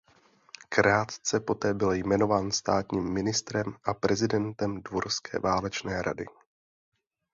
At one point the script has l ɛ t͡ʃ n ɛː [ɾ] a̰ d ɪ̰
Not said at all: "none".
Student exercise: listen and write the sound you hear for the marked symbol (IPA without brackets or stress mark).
ɾ